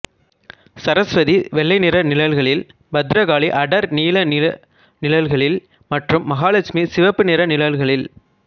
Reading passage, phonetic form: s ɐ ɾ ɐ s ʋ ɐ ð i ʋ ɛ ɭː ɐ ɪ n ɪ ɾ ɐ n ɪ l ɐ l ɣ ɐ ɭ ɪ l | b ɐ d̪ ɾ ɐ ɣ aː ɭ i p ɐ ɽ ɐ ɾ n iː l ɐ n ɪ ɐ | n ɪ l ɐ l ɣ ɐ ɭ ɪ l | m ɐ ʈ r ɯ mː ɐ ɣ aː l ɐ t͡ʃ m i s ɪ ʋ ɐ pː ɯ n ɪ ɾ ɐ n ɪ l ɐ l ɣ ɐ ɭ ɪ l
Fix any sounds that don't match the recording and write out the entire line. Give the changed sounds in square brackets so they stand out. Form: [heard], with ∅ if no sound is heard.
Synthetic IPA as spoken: s ɐ ɾ ɐ s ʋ ɐ ð i ʋ ɛ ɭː ɐ ɪ n ɪ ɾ ɐ n ɪ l ɐ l ɣ ɐ ɭ ɪ l | b ɐ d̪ ɾ ɐ ɣ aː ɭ i [ʔ] ɐ ɽ ɐ ɾ n iː l ɐ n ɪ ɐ | n ɪ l ɐ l ɣ ɐ ɭ ɪ l | m ɐ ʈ r ɯ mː ɐ ɣ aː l ɐ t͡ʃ m i s ɪ ʋ ɐ pː ɯ n ɪ ɾ ɐ n ɪ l ɐ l ɣ ɐ ɭ ɪ l